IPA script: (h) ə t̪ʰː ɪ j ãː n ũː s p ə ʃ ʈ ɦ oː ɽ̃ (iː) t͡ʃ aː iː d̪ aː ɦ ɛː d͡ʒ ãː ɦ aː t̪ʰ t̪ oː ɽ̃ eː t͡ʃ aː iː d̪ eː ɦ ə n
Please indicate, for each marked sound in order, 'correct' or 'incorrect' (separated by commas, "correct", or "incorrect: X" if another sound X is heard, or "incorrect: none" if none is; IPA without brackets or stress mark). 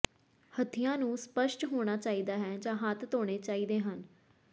correct, incorrect: aː